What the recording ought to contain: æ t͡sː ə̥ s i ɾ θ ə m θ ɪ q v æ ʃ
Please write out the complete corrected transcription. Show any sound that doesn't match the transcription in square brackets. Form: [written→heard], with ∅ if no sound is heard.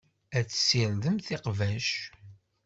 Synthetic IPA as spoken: æ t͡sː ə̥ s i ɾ [θ→ð] ə m θ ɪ q v æ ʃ

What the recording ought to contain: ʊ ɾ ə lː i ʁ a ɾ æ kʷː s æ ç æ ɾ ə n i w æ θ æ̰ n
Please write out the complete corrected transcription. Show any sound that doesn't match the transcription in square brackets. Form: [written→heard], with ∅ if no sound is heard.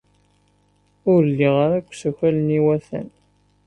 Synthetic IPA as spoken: ʊ ɾ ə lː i ʁ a ɾ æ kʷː s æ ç æ [ɾ→l] ə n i w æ θ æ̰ n

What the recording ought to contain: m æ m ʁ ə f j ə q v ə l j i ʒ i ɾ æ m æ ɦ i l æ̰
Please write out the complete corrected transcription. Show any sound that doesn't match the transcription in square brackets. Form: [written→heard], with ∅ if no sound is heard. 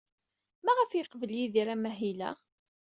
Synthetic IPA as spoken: m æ [m→∅] ʁ ə f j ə q v ə l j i [ʒ→ð] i ɾ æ m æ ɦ i l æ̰

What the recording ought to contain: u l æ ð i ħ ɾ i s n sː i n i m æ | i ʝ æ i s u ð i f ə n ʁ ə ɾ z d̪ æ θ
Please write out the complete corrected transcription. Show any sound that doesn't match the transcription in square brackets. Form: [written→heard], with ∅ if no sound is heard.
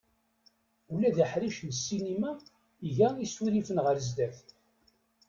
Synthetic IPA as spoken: u l æ ð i ħ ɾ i [s→ʃ] n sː i n i m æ | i ʝ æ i s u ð i f ə n ʁ ə ɾ z d̪ æ θ

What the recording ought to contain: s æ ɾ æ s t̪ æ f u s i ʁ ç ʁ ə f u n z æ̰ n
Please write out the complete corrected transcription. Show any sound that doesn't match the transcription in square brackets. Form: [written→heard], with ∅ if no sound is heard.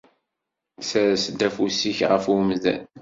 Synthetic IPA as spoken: s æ ɾ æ s [t̪→d̪] æ f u s i [ʁ→∅] ç ʁ ə f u [n→m] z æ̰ n

